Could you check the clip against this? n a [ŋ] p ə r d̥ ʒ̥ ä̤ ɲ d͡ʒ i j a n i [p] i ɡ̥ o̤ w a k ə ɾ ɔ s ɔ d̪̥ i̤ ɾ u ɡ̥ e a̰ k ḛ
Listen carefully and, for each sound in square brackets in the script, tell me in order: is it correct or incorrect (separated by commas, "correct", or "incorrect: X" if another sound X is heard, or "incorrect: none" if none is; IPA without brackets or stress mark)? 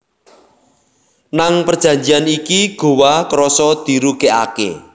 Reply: correct, incorrect: k